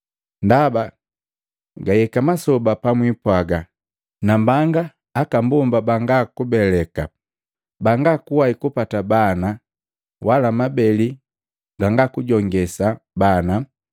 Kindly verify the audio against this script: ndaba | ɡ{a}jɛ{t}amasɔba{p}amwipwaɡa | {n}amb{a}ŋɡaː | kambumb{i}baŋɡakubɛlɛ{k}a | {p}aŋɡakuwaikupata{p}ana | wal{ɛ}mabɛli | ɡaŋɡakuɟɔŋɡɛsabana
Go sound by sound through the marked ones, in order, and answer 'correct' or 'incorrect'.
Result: correct, incorrect: k, correct, correct, correct, incorrect: a, correct, incorrect: b, incorrect: b, incorrect: a

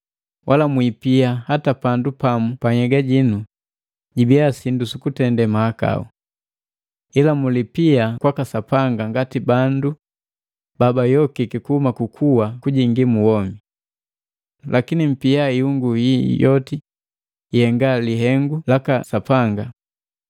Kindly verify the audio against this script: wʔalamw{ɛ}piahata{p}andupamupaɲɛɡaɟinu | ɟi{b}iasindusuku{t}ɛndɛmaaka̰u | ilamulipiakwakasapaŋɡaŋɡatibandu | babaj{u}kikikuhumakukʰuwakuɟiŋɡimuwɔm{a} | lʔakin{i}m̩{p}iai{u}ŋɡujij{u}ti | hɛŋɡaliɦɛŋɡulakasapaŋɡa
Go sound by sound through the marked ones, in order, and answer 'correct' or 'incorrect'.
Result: incorrect: i, correct, correct, correct, incorrect: ɔ, incorrect: i, correct, correct, correct, incorrect: ɔ

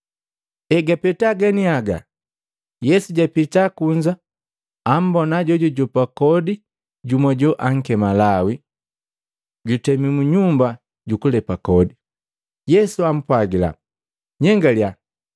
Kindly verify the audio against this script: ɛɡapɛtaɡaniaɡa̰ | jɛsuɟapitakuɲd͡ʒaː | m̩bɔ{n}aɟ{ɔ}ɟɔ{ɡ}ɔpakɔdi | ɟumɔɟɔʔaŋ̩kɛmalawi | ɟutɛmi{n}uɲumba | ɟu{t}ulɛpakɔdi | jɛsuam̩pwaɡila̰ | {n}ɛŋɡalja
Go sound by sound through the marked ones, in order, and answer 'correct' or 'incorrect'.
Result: correct, correct, incorrect: ɟ, incorrect: m, incorrect: k, incorrect: ɲ

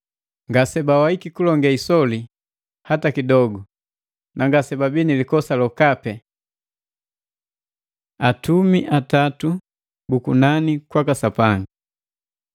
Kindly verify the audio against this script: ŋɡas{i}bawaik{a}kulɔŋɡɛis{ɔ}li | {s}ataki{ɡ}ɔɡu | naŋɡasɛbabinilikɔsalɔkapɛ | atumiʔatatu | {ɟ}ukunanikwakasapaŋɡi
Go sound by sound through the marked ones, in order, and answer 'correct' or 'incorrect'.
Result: incorrect: ɛ, incorrect: i, correct, incorrect: h, incorrect: d, incorrect: b

